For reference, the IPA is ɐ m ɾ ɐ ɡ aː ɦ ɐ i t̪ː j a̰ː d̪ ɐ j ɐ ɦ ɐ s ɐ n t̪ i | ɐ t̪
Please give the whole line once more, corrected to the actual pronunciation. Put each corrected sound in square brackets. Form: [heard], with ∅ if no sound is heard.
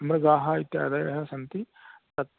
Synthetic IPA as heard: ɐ m ɾ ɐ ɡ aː ɦ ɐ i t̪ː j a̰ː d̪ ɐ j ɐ ɦ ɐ s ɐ n t̪ i | ɐ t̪